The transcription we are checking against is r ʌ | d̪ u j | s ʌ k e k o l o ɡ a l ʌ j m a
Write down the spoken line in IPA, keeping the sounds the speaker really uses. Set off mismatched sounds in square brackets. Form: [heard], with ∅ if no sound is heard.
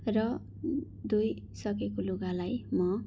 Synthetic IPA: r ʌ | d̪ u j | s ʌ k e k o l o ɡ a l [a] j m [ʌ]

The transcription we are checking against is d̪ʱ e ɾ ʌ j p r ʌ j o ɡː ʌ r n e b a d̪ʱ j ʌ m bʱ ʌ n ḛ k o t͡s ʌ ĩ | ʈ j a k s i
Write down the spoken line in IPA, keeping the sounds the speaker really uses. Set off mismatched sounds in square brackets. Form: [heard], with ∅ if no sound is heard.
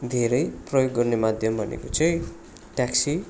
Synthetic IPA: d̪ʱ e ɾ ʌ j p r ʌ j o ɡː ʌ r n e [m] a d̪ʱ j ʌ m bʱ ʌ n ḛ k o t͡s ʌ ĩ | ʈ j a k s i

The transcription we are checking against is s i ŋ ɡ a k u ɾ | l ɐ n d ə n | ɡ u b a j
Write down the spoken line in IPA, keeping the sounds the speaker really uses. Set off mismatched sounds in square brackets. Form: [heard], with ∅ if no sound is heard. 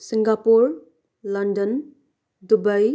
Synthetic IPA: s i ŋ ɡ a [p] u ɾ | l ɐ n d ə n | [d] u b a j

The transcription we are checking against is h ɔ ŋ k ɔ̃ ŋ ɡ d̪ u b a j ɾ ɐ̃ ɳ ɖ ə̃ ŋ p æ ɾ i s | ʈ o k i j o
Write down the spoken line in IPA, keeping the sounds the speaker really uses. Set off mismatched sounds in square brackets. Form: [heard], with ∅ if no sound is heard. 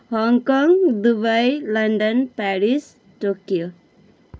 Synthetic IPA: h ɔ ŋ k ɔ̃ ŋ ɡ d̪ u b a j [l] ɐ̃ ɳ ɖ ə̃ [n] p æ ɾ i s | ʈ o k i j o

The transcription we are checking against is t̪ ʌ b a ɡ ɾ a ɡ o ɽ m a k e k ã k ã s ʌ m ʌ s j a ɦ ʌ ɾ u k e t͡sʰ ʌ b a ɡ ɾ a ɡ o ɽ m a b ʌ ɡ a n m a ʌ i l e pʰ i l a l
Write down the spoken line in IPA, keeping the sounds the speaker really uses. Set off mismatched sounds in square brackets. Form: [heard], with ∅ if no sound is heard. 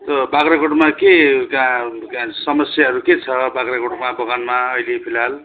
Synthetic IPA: t̪ ʌ b a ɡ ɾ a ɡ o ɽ m a k e k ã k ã s ʌ m ʌ s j a ɦ ʌ ɾ u k e t͡sʰ ʌ b a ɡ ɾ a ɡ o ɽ m a b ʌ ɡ a n m a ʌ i l e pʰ i l a l

